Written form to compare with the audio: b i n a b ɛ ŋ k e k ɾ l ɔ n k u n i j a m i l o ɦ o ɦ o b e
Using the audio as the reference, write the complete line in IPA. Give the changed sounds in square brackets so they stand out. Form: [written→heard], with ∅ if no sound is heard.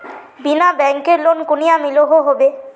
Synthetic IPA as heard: b i n a b ɛ ŋ k e [k→∅] ɾ l [ɔ→o] n k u n i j a m i l o ɦ o ɦ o b e